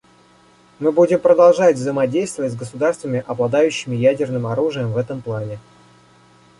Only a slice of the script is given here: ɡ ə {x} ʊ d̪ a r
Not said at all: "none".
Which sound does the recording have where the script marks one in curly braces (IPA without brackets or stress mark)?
s